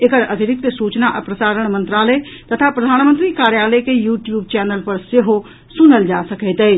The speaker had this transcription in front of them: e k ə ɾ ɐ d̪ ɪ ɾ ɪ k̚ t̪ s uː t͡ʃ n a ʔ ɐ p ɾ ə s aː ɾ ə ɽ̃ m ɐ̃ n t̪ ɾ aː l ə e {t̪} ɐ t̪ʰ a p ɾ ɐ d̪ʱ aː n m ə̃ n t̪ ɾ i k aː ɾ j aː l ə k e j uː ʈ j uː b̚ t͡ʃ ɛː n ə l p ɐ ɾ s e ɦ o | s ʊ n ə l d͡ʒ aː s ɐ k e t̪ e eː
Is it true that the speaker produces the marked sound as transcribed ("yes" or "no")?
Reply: yes